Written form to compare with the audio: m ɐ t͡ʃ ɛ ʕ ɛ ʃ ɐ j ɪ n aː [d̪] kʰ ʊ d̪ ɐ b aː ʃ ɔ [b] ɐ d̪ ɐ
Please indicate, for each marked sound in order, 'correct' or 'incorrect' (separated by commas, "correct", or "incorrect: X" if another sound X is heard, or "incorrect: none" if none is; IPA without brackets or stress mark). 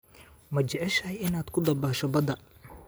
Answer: correct, correct